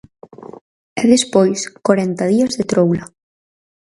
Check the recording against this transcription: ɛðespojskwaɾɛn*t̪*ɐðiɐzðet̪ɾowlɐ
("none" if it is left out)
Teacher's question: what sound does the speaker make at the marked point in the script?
t̪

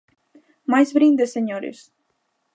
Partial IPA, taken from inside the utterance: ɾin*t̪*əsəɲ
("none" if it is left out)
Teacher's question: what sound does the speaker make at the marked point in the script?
d̪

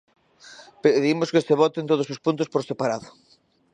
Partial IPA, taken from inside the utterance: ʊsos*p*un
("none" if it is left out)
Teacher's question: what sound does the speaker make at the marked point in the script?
p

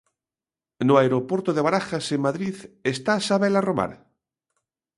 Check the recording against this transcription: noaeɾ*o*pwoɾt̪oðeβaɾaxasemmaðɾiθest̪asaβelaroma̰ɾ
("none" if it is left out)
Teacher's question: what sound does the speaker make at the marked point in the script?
o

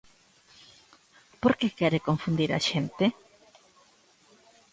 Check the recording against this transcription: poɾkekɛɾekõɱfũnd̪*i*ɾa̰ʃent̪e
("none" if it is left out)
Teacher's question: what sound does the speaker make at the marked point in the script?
i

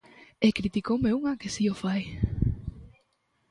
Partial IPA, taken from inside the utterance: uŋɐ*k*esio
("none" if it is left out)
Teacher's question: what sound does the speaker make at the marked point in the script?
k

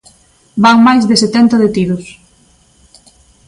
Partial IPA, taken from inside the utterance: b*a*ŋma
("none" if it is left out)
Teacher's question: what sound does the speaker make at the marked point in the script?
a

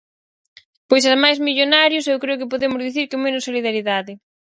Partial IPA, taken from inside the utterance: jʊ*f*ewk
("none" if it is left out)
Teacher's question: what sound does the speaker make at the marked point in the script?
s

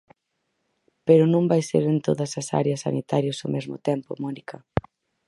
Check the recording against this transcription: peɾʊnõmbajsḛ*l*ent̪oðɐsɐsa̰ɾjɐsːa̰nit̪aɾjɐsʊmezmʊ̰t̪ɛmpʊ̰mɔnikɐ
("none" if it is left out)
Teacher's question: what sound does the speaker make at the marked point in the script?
ɾ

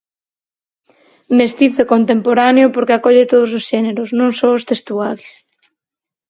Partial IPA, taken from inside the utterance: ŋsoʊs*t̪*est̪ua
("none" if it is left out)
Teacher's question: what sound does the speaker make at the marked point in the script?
t̪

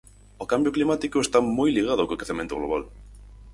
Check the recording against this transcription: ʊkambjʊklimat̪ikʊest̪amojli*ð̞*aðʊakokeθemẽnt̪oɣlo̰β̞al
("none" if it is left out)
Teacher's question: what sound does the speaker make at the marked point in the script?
ɣ̞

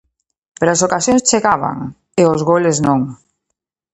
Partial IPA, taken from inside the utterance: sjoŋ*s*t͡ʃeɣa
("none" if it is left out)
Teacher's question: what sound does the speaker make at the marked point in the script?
s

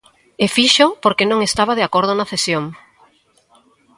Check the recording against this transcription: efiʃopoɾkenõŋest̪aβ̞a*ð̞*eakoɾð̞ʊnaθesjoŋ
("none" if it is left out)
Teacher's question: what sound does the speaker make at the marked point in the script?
ð̞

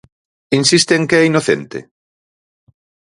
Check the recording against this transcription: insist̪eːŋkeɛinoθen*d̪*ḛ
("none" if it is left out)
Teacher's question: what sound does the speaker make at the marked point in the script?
t̪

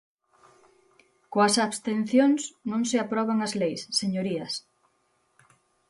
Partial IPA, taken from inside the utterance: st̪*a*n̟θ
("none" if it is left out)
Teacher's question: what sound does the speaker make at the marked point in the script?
e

